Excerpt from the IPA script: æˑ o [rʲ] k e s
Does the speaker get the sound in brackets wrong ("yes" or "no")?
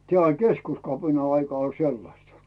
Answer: yes